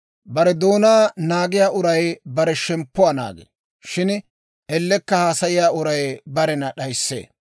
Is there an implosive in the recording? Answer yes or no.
yes